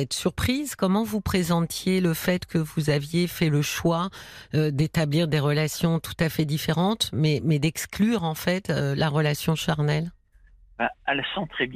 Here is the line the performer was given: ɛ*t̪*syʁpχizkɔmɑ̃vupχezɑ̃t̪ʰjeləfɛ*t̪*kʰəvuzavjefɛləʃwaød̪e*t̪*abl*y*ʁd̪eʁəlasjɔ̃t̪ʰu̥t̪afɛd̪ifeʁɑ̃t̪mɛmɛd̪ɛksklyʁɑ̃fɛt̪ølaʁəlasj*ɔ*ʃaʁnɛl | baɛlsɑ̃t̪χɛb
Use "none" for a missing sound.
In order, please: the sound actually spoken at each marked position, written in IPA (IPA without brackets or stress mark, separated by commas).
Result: t̪, t̪, t̪, i, ɔ̃